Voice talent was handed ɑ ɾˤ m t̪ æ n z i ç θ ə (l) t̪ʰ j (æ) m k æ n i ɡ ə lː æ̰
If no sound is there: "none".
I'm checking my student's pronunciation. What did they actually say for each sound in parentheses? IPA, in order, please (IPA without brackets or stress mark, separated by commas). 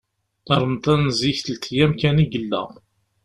l, æ